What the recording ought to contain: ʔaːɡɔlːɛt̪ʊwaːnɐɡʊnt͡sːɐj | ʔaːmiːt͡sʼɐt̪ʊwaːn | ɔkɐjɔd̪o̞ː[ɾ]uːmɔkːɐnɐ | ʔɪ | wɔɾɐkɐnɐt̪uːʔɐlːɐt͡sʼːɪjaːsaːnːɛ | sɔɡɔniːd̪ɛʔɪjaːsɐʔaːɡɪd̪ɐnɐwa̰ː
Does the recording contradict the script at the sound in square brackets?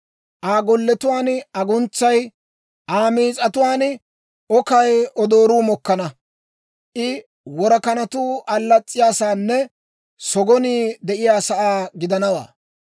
no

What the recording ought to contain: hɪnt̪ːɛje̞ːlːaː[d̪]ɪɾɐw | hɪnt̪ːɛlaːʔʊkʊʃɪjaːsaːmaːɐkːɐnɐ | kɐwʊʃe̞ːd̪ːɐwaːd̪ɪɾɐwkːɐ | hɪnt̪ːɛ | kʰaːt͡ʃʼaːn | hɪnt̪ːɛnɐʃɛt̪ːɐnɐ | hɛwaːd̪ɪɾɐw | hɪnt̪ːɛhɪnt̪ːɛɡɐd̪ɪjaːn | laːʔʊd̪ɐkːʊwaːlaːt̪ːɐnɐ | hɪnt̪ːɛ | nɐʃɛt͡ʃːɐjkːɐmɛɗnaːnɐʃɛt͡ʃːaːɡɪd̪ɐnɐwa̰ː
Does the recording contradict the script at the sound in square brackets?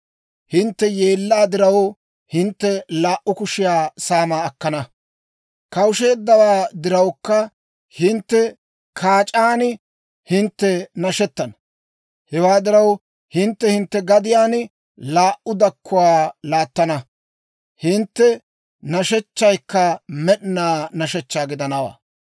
no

